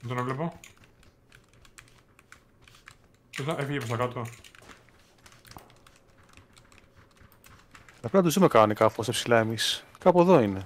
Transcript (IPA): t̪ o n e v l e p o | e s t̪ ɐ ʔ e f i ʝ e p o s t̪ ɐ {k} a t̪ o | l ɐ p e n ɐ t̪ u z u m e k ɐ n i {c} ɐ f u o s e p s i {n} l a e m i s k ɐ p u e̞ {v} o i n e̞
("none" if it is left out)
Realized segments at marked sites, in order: k, k, none, ð

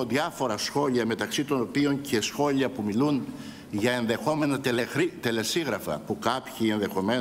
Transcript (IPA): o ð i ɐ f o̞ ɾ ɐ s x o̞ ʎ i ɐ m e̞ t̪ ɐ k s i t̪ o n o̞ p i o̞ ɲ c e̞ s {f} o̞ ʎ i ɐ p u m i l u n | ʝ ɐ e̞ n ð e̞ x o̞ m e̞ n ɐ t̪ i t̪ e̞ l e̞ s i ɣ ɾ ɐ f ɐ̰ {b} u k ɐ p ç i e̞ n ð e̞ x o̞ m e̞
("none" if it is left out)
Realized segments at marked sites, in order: x, p

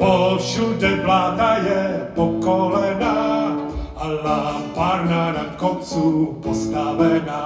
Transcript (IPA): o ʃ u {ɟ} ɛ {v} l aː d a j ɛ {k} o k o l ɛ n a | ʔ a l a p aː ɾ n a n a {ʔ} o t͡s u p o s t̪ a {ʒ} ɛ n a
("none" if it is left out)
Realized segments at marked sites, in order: d, v, p, k, v

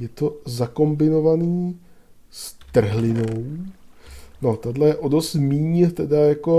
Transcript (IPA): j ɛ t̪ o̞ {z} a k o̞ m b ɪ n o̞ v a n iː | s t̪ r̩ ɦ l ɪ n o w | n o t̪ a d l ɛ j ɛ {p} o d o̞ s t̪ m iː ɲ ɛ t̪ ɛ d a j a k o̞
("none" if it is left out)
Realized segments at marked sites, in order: z, ʔ

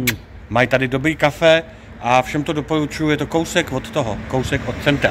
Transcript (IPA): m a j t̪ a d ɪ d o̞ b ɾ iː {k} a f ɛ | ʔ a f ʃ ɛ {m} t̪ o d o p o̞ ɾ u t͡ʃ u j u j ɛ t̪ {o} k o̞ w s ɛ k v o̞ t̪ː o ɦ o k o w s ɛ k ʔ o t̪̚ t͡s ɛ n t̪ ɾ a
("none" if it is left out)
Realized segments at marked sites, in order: k, m, o

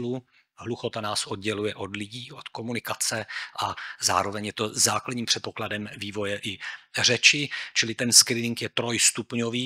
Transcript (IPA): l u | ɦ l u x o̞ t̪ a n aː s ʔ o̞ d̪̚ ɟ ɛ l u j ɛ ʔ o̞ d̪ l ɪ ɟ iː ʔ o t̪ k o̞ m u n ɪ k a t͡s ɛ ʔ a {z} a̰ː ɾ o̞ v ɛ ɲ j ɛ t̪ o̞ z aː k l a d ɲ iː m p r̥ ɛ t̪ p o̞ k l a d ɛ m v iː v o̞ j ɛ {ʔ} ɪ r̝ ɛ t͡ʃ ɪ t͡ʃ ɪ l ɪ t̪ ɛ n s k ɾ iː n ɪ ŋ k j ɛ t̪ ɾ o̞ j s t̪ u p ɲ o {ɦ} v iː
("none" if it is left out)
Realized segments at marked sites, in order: z, ʔ, none

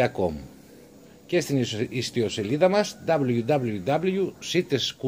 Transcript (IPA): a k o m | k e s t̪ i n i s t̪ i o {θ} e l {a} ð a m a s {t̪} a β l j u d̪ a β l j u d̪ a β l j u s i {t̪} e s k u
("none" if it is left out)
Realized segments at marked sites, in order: s, i, d̪, t̪

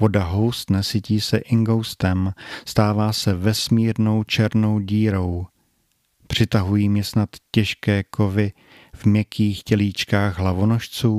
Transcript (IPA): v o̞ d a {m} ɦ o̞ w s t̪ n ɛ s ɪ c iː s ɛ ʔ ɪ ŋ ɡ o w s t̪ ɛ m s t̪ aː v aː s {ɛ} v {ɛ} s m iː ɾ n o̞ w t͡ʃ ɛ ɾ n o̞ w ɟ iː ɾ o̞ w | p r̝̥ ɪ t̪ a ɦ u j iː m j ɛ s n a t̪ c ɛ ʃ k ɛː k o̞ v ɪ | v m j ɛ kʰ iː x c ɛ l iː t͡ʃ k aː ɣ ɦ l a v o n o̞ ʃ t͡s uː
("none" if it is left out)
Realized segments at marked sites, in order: none, ɛ, ɛ

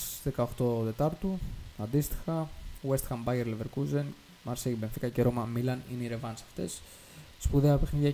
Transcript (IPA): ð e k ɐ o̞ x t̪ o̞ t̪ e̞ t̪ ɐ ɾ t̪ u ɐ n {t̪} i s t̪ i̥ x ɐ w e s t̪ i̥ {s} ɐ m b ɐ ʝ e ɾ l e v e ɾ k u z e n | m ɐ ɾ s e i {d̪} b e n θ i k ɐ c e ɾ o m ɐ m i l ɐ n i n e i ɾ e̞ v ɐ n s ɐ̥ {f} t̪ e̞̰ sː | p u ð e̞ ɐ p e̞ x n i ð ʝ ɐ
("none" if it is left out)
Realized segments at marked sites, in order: d̪, x, none, f

